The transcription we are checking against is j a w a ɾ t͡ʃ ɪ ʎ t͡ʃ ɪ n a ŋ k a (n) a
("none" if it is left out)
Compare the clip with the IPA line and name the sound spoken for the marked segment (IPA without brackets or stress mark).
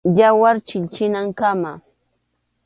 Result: m